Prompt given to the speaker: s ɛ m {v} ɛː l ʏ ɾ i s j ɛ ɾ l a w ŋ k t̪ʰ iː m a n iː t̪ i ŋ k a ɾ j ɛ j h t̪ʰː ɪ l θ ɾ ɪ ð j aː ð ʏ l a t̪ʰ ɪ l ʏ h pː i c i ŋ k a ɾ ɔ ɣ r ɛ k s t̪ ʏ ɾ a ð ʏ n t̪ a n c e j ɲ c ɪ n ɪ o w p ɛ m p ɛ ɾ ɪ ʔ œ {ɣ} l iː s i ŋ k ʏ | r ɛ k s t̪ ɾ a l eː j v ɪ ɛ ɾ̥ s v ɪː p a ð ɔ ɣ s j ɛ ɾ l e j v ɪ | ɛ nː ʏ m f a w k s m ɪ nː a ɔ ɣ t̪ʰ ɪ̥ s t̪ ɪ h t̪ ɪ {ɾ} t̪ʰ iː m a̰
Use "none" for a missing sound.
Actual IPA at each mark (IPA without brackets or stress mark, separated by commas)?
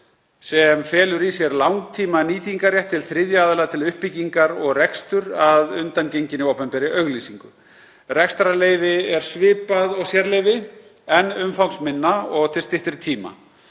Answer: f, ɣ, ɾ